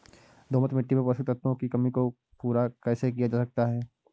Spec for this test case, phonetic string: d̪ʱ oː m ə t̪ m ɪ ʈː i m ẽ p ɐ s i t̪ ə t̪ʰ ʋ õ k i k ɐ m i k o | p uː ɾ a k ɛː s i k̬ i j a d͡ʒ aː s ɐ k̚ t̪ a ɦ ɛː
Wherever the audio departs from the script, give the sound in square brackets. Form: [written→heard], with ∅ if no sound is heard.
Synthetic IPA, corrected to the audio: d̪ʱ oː m ə t̪ m ɪ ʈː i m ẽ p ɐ s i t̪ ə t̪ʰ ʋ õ k i k ɐ m i k o | p uː ɾ a k ɛː s [i→e] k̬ i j a d͡ʒ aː s ɐ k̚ t̪ a ɦ ɛː